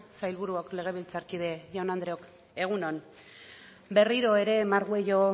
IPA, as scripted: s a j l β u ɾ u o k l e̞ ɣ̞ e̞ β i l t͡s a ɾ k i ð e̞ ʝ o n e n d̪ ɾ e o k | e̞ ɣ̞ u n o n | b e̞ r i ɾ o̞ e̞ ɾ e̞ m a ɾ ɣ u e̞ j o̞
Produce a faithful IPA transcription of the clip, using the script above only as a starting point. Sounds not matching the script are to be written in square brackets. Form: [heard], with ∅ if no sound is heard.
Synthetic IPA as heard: s a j l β u ɾ u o k l e̞ ɣ̞ e̞ β i l t͡s a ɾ k i ð e̞ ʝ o n [a] n d̪ ɾ e o k | e̞ ɣ̞ u n o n | b e̞ r i ɾ o̞ e̞ ɾ e̞ m a ɾ ɣ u e̞ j o̞